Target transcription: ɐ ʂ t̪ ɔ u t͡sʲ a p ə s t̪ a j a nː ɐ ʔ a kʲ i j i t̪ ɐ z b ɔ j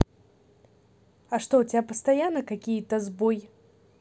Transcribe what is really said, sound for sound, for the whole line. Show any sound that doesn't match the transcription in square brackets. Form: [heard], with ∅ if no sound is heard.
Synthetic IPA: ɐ ʂ t̪ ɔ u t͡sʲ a p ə s t̪ a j a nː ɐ [k] a kʲ i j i t̪ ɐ z b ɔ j